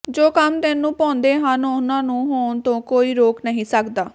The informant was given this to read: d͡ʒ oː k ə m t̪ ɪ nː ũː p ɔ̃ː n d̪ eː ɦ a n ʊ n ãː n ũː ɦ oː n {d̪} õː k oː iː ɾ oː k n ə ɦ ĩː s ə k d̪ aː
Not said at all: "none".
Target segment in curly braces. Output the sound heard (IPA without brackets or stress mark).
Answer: t̪